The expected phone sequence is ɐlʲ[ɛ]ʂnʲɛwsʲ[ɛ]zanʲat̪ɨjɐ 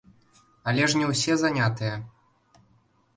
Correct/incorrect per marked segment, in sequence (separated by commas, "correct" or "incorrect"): correct, correct